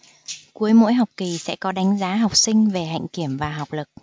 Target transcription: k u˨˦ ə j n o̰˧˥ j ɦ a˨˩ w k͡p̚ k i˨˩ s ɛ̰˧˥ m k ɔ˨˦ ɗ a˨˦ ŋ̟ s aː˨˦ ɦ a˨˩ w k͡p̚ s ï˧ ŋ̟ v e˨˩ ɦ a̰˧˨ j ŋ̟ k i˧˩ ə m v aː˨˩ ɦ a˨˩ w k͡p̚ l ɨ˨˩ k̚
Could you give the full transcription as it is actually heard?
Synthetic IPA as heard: k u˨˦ ə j m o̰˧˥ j ɦ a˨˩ w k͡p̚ k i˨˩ s ɛ̰˧˥ k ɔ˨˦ ɗ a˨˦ ŋ̟ z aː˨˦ ɦ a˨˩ w k͡p̚ s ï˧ ŋ̟ v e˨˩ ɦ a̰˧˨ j ŋ̟ k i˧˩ ə m v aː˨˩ ɦ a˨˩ w k͡p̚ l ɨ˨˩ k̚